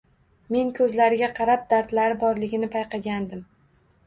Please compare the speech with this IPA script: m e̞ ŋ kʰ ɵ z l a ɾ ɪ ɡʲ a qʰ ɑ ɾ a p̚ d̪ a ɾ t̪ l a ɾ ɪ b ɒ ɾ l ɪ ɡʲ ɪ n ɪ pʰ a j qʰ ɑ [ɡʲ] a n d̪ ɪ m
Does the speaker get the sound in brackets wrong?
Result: no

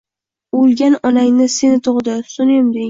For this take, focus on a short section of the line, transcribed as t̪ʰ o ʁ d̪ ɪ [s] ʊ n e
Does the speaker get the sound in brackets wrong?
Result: no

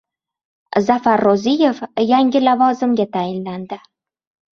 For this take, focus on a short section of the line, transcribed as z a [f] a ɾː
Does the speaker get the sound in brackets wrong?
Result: no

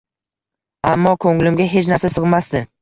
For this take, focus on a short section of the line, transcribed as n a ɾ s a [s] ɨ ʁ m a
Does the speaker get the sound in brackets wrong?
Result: no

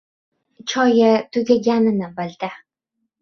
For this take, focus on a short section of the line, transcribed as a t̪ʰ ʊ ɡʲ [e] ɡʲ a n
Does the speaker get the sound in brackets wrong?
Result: yes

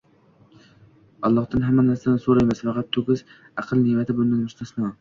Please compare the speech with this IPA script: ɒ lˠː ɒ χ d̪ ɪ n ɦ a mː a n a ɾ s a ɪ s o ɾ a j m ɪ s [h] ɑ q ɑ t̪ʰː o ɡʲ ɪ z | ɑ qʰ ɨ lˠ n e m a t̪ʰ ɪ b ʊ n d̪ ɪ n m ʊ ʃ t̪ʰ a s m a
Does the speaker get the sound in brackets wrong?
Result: yes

